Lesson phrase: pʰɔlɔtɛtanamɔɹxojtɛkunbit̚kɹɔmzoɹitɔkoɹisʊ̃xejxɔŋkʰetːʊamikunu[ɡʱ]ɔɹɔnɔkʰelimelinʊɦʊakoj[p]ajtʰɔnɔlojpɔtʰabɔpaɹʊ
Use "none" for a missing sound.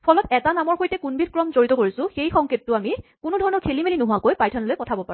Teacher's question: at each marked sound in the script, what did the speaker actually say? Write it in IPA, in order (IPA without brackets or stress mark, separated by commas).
dʱ, p